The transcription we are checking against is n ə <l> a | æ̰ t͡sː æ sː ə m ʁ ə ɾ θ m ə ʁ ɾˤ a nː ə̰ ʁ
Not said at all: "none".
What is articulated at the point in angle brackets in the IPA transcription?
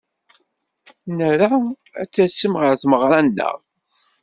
ɾ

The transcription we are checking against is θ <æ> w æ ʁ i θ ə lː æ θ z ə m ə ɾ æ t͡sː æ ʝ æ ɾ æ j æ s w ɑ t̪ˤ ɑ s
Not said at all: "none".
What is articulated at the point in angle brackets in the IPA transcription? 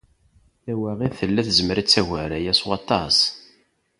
æ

